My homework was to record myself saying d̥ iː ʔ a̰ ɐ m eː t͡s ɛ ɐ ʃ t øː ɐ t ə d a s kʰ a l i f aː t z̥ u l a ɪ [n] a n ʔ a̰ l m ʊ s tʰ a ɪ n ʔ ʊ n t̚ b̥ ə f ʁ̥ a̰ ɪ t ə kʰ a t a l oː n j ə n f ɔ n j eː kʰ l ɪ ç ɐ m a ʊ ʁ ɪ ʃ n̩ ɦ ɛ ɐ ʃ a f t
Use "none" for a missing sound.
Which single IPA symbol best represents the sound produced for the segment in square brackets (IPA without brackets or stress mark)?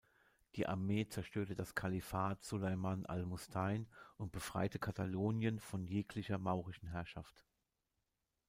m